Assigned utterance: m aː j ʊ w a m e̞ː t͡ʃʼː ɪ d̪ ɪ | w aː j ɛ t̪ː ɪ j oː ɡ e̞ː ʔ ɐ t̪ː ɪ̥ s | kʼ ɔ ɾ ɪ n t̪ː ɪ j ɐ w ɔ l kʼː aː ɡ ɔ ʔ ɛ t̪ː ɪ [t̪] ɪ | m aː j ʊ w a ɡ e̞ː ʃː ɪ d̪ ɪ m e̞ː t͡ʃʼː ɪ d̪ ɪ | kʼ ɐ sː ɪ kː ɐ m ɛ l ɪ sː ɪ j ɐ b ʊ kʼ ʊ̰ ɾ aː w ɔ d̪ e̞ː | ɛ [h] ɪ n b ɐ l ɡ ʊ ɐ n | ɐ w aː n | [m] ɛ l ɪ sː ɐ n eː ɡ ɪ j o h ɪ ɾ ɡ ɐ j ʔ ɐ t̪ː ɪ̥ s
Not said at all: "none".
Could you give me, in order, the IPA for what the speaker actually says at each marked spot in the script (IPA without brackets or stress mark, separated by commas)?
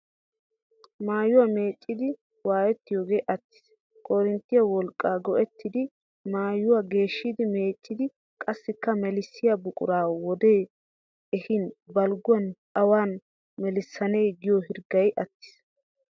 d̪, h, m